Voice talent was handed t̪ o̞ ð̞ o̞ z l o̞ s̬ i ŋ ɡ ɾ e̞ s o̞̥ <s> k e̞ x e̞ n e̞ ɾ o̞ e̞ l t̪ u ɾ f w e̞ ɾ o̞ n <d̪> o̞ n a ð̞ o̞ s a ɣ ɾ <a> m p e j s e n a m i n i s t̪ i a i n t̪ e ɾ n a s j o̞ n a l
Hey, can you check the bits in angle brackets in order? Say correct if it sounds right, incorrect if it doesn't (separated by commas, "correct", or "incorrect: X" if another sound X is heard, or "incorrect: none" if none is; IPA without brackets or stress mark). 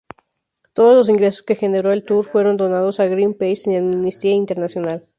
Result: correct, correct, incorrect: i